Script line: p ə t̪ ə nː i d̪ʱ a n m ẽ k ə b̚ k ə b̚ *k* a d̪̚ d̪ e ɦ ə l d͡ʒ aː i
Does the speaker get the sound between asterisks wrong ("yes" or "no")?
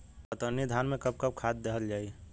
yes